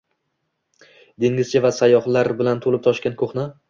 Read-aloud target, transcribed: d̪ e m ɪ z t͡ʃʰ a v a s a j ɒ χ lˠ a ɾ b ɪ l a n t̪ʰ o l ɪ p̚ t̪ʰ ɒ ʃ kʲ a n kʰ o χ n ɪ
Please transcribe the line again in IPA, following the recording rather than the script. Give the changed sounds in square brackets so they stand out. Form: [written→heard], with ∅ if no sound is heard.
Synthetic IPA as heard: d̪ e [m→ŋ] ɪ z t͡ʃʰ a v a s a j ɒ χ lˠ a ɾ b ɪ l a n t̪ʰ o l ɪ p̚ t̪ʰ ɒ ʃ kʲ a n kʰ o χ n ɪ